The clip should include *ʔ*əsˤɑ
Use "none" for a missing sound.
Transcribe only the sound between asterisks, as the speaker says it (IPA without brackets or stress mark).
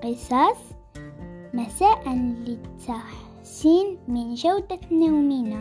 q